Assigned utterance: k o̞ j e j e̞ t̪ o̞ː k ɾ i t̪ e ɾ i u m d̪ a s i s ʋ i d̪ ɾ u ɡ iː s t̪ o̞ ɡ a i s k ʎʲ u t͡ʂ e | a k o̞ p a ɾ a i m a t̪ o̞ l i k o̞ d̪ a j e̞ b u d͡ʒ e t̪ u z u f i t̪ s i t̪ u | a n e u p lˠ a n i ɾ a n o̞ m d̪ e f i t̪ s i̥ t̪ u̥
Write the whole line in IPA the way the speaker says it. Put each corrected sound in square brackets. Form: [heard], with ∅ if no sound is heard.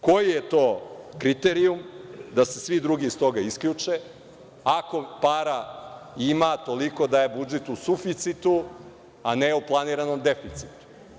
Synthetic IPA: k o̞ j [i] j e̞ t̪ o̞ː k ɾ i t̪ e ɾ i u m d̪ a s [e] s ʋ i d̪ ɾ u ɡ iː s t̪ o̞ ɡ a i s k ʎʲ u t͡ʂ e | a k o̞ p a ɾ a i m a t̪ o̞ l i k o̞ d̪ a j e̞ b u d͡ʒ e t̪ u [s] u f i t̪ s i t̪ u | a n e u p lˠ a n i ɾ a n o̞ m d̪ e f i t̪ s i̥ t̪ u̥